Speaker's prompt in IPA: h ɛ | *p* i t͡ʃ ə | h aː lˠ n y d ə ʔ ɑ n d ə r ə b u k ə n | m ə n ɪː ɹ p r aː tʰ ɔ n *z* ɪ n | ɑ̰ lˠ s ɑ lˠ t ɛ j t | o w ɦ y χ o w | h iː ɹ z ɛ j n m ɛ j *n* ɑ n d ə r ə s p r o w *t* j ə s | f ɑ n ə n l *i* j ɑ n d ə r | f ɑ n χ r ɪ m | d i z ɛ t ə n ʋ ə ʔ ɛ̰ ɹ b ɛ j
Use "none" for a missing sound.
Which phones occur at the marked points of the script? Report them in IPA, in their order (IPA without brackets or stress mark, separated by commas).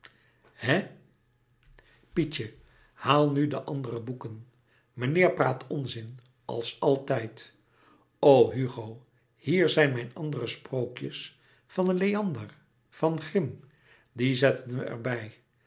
p, z, n, k, e